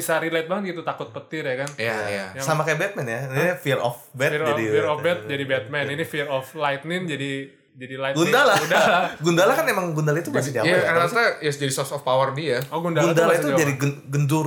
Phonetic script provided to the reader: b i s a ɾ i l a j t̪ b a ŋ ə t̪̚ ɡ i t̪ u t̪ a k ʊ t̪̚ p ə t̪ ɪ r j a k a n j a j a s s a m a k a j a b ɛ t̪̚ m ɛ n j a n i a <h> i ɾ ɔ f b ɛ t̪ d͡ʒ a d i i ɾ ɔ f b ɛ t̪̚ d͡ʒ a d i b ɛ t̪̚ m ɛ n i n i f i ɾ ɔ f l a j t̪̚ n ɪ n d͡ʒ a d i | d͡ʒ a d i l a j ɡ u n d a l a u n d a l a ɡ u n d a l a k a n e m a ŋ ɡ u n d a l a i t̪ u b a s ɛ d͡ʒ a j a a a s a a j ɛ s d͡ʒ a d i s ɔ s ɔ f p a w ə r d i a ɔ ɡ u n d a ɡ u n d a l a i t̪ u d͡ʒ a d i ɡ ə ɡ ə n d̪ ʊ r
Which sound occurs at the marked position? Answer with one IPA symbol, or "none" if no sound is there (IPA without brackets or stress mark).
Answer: f